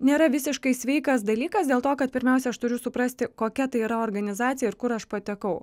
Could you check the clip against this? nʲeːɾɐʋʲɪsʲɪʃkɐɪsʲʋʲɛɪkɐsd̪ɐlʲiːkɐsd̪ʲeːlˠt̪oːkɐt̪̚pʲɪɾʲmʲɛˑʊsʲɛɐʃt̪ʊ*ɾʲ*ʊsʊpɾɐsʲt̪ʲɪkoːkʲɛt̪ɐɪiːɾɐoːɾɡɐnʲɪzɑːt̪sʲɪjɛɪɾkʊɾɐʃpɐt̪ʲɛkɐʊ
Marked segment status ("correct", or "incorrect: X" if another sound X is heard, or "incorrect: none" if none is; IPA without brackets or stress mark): correct